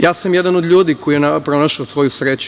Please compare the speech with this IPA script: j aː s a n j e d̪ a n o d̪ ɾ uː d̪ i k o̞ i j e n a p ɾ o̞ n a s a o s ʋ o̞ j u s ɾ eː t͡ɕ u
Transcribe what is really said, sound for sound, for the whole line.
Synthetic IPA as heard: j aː s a m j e d̪ a n o d̪ ʎ uː d̪ i k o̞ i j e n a p ɾ o̞ n a ʃ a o s ʋ o̞ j u s ɾ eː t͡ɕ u